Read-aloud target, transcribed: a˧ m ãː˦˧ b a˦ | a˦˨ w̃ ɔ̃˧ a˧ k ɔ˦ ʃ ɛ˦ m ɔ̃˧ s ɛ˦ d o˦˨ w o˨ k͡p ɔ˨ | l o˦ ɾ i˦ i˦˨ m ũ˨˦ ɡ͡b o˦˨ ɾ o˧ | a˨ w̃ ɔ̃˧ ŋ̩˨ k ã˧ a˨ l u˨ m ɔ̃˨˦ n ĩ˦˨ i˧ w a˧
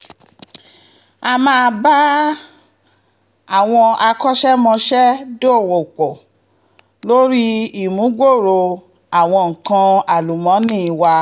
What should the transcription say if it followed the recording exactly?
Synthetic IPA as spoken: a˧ m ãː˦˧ b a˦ | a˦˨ w̃ ɔ̃˧ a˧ k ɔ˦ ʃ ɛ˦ m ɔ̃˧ ʃ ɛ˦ d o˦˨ w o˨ k͡p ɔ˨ | l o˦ ɾ i˦ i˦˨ m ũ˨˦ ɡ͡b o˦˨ ɾ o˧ | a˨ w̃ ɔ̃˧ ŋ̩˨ k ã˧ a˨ l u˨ m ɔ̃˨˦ n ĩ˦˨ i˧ w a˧

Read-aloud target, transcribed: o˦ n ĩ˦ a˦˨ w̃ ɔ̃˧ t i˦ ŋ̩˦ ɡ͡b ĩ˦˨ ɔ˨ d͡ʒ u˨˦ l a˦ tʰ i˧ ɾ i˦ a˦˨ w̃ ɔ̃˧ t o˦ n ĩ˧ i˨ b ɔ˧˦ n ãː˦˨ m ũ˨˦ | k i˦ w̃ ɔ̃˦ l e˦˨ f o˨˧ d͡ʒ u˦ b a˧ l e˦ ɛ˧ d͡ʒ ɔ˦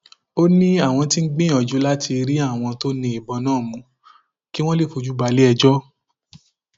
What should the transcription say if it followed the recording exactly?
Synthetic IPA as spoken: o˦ n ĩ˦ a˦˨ w̃ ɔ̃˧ t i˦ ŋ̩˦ ɡ͡b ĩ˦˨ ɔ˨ d͡ʒ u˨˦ l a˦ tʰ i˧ ɾ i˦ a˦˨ w̃ ɔ̃˧ t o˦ n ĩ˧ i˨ b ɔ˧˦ n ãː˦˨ m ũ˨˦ | k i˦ w̃ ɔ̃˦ l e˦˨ f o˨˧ d͡ʒ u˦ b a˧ l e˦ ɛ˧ d͡ʒ ɔ˦

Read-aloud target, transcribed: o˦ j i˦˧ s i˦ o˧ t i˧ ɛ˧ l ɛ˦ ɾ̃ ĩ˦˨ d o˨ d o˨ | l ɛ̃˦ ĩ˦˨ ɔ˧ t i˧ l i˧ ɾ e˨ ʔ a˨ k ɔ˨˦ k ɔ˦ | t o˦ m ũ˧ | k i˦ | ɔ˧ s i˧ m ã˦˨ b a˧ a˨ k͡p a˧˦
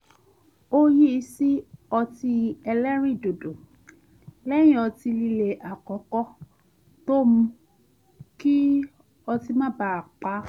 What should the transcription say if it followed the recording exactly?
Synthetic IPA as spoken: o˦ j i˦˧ s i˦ ɔ˧ t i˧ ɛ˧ l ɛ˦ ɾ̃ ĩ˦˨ d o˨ d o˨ | l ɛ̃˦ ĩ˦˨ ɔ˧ t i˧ l i˧ l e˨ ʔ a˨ k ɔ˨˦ k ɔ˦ | t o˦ m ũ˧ | k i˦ | ɔ˧ t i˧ m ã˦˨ b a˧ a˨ k͡p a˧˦

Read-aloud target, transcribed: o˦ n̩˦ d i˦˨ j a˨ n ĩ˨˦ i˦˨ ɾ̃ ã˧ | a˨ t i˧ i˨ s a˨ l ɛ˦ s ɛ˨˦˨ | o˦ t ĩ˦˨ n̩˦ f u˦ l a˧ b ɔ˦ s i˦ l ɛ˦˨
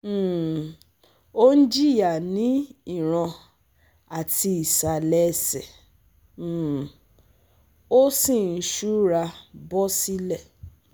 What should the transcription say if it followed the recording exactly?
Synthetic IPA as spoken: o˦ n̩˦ d͡ʒ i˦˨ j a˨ n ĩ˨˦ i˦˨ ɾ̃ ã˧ | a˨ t i˧ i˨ s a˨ l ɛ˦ s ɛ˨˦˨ | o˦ s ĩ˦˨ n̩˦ ʃ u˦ ɾ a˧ b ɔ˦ s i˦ l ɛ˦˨

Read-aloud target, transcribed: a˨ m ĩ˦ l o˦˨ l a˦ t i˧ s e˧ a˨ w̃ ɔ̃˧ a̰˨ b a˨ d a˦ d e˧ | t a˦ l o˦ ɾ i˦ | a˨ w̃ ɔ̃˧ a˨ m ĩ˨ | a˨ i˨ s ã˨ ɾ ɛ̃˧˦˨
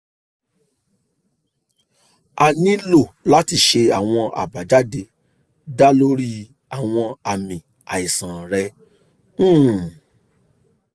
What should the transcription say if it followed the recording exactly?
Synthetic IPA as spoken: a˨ n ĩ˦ l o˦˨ l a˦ t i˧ ʃ e˧ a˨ w̃ ɔ̃˧ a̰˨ b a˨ d͡ʒ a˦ d e˧ | d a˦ l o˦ ɾ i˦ | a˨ w̃ ɔ̃˧ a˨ m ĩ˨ | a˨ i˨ s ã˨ ɾ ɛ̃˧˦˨

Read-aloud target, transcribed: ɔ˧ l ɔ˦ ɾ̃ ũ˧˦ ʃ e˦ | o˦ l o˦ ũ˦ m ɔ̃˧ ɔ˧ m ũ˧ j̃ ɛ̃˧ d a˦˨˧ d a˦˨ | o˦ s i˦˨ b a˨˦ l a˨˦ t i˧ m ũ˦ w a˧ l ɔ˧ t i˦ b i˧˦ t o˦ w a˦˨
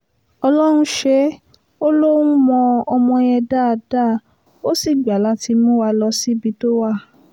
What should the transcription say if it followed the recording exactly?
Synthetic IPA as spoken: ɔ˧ l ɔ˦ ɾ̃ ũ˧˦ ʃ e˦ | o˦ l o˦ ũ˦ m ɔ̃˧ ɔ˧ m ɔ̃˧ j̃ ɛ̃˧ d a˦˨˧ d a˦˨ | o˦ s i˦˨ ɡ͡b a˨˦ l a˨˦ t i˧ m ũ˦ w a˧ l ɔ˧ s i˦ b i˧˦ t o˦ w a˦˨

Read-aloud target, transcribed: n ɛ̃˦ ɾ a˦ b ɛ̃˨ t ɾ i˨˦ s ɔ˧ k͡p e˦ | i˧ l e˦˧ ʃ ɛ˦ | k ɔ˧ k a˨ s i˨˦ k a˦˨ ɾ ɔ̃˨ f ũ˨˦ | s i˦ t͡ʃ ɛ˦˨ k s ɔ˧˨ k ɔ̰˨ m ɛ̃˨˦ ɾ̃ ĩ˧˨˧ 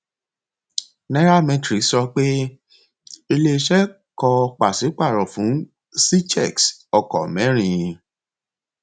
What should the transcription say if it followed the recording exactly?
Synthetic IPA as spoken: n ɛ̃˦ ɾ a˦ m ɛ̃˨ t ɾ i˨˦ s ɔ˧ k͡p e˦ | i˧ l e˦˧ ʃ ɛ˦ | k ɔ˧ k͡p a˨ s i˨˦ k͡p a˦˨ ɾ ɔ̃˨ f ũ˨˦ | s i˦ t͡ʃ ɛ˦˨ k s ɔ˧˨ k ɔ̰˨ m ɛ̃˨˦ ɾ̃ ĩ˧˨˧

